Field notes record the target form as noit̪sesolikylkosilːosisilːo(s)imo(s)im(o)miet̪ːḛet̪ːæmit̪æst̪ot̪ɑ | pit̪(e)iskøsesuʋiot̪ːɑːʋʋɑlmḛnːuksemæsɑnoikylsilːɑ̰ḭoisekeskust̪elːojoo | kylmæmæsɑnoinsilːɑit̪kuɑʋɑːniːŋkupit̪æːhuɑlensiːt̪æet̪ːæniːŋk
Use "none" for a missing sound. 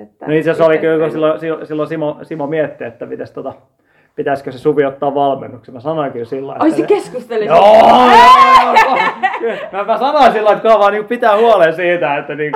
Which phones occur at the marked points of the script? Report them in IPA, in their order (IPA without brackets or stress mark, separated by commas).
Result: s, s, o, æ